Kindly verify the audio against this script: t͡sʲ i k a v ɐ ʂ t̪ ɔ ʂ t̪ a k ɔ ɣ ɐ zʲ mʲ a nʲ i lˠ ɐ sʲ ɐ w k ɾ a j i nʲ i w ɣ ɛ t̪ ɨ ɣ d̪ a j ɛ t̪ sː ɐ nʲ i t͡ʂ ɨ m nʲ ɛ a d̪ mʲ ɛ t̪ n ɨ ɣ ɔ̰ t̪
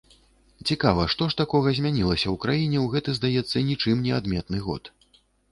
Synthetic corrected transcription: t͡sʲ i k a v ɐ ʂ t̪ ɔ ʂ t̪ a k ɔ ɣ ɐ zʲ mʲ a nʲ i lˠ ɐ sʲ ɐ w k ɾ a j i nʲ ɛ w ɣ ɛ t̪ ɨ z d̪ a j ɛ t̪ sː ɐ nʲ i t͡ʂ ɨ m nʲ ɛ a d̪ mʲ ɛ t̪ n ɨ ɣ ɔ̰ t̪